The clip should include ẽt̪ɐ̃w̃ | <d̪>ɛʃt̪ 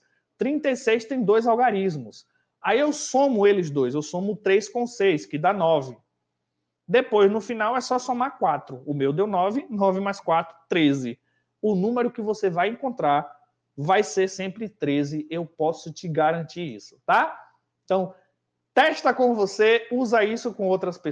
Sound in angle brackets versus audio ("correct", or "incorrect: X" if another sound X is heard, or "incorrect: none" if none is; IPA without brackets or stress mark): incorrect: t̪